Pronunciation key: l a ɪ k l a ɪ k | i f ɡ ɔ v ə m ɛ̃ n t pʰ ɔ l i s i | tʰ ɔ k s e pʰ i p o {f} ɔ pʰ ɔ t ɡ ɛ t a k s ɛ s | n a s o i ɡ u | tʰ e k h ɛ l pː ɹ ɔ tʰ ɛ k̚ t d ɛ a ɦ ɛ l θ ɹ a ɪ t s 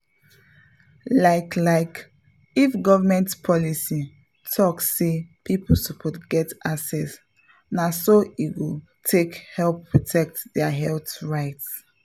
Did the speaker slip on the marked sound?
yes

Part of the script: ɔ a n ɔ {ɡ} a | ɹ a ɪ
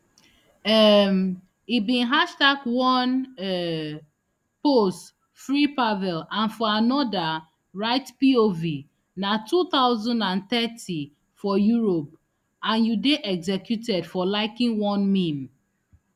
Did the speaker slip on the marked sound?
yes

